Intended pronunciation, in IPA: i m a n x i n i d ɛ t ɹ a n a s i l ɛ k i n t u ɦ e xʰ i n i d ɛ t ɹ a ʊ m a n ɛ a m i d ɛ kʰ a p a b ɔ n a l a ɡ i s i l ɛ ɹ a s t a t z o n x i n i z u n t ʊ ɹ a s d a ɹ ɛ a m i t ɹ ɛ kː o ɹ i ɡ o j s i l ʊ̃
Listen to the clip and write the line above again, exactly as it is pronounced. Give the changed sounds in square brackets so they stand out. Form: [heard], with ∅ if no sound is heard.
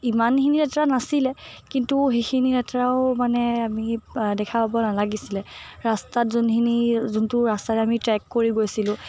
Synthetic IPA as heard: i m a n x i n i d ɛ t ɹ a n a s i l ɛ k i n t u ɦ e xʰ i n i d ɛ t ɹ a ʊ m a n ɛ a m i d ɛ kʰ a p a b ɔ n a l a ɡ i s i l ɛ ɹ a s t a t z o n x i n i z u n t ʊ ɹ a s [t] a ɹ ɛ a m i t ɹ ɛ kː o ɹ i ɡ o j s i l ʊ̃